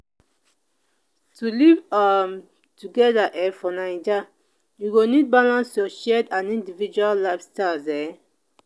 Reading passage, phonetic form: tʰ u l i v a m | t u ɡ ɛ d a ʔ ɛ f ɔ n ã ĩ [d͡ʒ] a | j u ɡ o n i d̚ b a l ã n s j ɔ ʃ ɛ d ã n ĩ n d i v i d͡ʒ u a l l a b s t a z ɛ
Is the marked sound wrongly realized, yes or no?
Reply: no